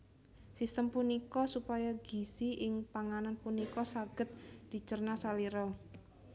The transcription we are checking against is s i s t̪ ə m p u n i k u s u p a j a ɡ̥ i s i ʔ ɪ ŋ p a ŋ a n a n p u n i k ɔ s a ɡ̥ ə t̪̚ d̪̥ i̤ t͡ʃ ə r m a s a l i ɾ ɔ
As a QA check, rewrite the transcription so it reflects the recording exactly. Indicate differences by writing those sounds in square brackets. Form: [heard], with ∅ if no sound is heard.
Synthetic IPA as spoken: s i s t̪ ə m p u n i k [ɔ] s u p a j a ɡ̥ i s i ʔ ɪ ŋ p a ŋ a n a n p u n i k ɔ s a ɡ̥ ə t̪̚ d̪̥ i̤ t͡ʃ ə r [n] a s a l i ɾ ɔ